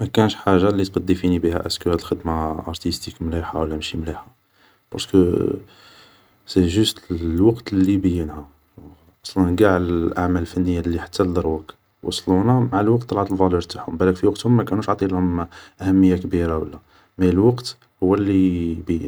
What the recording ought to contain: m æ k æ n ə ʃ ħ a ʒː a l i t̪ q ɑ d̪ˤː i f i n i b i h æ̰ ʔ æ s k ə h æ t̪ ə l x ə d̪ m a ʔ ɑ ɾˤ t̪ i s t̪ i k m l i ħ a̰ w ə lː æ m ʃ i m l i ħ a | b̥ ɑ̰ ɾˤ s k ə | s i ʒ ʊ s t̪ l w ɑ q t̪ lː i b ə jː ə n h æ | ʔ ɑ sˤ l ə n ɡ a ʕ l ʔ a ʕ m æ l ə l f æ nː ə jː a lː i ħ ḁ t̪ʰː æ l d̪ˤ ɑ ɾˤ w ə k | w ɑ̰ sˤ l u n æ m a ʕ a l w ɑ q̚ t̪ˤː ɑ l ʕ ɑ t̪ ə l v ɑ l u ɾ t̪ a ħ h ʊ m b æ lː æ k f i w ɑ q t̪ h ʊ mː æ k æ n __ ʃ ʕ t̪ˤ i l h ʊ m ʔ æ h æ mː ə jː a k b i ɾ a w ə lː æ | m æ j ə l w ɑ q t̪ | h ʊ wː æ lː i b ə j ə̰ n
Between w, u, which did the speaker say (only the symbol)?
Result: u